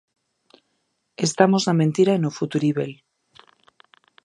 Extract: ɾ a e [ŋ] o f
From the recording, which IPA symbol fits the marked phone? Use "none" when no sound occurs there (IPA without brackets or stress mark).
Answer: n